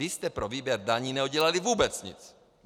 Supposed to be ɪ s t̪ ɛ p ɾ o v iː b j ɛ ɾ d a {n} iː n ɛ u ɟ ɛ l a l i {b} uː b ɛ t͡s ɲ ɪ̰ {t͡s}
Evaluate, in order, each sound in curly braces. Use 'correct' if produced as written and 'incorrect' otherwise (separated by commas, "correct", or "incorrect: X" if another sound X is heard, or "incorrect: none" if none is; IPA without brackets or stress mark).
incorrect: ɲ, incorrect: v, correct